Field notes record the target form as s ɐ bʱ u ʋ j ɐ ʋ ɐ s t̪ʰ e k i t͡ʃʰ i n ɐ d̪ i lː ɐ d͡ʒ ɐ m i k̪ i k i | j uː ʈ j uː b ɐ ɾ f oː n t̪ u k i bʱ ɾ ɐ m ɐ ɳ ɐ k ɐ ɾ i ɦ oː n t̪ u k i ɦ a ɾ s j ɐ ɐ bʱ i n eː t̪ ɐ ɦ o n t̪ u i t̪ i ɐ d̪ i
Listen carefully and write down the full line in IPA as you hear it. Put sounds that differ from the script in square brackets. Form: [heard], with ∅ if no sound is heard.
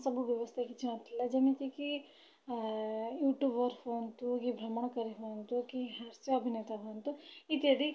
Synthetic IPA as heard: s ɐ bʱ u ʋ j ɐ ʋ ɐ s t̪ʰ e k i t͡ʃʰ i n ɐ [t̪] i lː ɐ d͡ʒ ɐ m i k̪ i k i | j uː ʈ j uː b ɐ ɾ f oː n t̪ u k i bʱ ɾ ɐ m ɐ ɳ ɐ k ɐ ɾ i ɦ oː n t̪ u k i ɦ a ɾ s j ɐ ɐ bʱ i n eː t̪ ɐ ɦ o n t̪ u i t̪ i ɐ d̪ i

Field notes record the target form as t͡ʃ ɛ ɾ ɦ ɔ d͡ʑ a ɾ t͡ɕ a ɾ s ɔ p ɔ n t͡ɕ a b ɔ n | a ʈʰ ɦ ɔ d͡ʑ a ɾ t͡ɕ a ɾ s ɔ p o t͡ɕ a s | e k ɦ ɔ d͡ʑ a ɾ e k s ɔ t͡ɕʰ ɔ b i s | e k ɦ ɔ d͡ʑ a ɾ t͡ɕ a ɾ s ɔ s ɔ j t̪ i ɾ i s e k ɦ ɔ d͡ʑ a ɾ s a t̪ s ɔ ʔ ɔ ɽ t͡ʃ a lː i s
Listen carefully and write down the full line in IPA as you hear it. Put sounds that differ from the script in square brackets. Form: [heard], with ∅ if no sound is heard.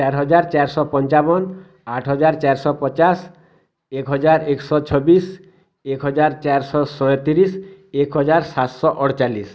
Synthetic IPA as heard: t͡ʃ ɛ ɾ ɦ ɔ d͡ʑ a ɾ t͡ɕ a ɾ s ɔ p ɔ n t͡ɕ a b ɔ n | a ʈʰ ɦ ɔ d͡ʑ a ɾ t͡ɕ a ɾ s ɔ p [ɔ] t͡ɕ a s | e k ɦ ɔ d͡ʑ a ɾ e k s ɔ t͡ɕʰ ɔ b i s | e k ɦ ɔ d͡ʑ a ɾ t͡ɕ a ɾ s ɔ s ɔ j t̪ i ɾ i s e k ɦ ɔ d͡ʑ a ɾ s a t̪ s ɔ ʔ ɔ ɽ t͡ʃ a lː i s

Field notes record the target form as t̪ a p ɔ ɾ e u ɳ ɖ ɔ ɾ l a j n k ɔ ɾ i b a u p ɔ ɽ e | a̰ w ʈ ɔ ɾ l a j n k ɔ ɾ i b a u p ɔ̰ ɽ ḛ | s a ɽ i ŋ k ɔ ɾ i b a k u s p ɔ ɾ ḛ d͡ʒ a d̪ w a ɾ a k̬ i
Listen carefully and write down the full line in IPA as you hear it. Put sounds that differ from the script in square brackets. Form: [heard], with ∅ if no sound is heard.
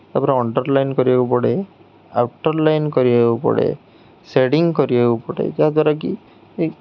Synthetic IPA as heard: t̪ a p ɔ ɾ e [ɔ] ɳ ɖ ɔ ɾ l a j n k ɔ ɾ i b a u p ɔ ɽ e | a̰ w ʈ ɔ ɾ l a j n k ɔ ɾ i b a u p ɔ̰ ɽ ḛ | s [e] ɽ i ŋ k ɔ ɾ i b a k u [∅] p ɔ [ɽ] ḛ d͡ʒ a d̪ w a ɾ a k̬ i

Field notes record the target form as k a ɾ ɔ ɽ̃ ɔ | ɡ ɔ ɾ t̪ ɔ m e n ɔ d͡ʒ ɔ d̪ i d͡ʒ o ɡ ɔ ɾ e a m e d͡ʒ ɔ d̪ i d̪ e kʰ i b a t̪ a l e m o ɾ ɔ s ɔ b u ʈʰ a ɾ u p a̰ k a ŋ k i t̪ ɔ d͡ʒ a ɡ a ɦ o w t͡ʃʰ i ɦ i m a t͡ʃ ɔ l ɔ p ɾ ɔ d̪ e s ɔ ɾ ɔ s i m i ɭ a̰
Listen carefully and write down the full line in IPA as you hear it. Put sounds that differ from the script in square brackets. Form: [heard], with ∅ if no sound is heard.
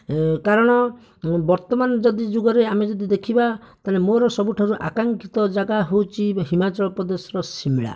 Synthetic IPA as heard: k a ɾ ɔ ɽ̃ ɔ | [b] ɔ ɾ t̪ ɔ m [a] n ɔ d͡ʒ ɔ d̪ i d͡ʒ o ɡ ɔ ɾ e a m e d͡ʒ ɔ d̪ i d̪ e kʰ i b a t̪ a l e m o ɾ ɔ s ɔ b u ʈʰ a ɾ u [ʔ] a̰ k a ŋ k i t̪ ɔ d͡ʒ a ɡ a ɦ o w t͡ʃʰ i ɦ i m a t͡ʃ ɔ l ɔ p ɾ ɔ d̪ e s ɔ ɾ ɔ s i m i ɭ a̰

